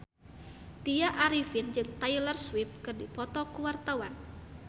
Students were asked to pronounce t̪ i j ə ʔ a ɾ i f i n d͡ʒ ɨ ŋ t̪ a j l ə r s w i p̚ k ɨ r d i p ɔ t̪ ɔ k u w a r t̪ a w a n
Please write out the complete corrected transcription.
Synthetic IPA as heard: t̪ i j a ʔ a ɾ i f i n d͡ʒ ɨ ŋ t̪ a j l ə r s w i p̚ k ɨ r d i p ɔ t̪ ɔ k u w a r t̪ a w a n